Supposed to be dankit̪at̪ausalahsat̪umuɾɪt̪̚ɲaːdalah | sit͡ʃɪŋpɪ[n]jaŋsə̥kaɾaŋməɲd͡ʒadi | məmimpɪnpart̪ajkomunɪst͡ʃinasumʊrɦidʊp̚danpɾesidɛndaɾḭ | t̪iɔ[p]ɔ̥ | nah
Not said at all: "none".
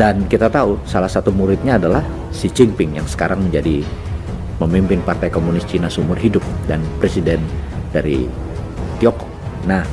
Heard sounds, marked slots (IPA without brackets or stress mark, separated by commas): ŋ, k